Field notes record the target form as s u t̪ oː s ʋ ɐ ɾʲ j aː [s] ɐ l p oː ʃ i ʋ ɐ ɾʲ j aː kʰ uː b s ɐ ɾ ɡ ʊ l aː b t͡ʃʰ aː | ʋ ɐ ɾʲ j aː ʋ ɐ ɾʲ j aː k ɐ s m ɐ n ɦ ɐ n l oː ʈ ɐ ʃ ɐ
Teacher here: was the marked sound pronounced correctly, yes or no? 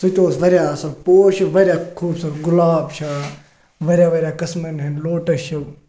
yes